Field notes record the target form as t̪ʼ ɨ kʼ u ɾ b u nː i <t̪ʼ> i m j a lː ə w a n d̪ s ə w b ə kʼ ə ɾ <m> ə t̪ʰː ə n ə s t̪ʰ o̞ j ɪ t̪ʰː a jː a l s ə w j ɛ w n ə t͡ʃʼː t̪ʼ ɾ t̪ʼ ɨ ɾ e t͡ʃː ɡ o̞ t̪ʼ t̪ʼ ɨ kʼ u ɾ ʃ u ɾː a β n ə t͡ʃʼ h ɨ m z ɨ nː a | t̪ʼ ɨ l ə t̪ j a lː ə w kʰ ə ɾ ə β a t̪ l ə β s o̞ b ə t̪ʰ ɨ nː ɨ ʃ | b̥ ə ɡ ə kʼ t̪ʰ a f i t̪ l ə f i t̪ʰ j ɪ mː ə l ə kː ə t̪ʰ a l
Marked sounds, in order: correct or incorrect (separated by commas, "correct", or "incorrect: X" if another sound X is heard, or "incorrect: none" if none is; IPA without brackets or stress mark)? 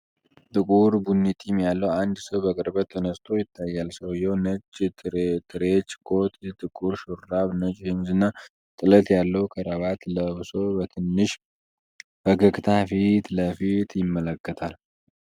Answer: correct, incorrect: b